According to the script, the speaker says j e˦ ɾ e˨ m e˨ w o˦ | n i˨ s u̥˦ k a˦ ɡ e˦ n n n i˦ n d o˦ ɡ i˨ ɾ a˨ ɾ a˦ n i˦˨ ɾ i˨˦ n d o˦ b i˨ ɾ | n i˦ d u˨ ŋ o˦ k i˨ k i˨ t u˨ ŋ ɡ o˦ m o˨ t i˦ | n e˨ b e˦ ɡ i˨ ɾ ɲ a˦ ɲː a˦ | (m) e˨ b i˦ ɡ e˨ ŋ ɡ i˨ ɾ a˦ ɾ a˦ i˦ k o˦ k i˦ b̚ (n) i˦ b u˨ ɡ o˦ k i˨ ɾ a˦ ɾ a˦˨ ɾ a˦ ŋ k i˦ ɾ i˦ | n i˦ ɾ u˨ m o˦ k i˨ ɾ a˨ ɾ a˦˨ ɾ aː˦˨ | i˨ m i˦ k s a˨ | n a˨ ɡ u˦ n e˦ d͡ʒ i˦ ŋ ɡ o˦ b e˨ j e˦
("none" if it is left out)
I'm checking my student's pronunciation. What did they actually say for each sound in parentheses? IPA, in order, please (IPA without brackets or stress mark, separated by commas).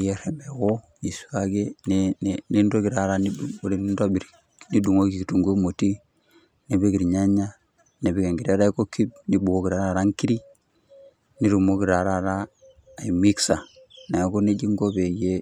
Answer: n, n